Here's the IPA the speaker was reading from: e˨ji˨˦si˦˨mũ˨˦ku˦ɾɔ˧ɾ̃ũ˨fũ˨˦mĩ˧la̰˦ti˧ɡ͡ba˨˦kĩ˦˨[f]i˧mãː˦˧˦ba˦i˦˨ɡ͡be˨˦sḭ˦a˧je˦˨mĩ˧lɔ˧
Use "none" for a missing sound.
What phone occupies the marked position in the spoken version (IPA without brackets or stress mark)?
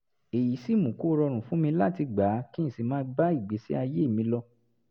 s